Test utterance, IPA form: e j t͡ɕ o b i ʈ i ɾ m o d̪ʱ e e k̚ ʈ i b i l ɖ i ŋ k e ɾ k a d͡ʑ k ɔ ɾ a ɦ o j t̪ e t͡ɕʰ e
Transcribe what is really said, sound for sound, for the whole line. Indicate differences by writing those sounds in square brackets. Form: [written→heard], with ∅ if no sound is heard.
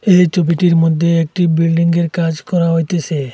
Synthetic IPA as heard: e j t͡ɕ o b i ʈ i ɾ m o [d̪ʱ→d̪ʱː] e e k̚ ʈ i b i l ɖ i ŋ [k→ɡ] e ɾ k a d͡ʑ k ɔ ɾ a ɦ o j t̪ e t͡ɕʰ e